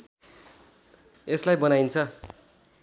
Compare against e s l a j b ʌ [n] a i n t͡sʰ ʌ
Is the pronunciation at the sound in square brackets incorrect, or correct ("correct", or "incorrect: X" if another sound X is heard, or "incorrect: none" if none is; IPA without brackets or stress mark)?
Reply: correct